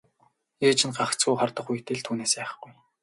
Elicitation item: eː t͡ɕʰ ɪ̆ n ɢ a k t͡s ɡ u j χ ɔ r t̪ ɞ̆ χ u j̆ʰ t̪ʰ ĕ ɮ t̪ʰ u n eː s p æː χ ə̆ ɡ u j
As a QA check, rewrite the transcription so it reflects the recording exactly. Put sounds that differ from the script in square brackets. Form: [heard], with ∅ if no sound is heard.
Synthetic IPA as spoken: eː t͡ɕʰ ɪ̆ n ɢ a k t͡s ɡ u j χ ɔ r t̪ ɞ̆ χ u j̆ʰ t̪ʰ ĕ ɮ t̪ʰ [uː] n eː s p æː χ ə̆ ɡ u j